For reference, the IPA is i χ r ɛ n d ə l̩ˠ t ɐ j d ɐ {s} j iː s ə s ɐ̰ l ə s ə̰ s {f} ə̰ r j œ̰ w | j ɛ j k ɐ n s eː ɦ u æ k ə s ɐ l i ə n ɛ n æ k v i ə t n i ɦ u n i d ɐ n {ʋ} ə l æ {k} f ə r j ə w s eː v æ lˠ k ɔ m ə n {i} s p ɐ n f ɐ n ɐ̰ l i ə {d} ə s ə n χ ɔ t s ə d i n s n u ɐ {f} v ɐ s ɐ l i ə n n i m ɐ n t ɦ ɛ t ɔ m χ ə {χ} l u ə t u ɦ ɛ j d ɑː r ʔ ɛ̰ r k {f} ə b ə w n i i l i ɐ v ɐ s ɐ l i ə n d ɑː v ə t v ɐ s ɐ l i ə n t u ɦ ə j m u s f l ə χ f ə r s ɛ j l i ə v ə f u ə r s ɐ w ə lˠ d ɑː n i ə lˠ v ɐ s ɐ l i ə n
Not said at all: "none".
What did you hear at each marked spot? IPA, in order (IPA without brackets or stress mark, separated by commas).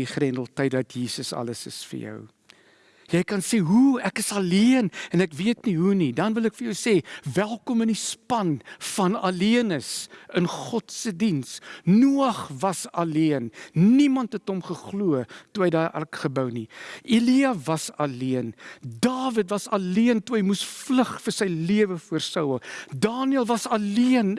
t, f, v, k, i, n, χ, χ, χ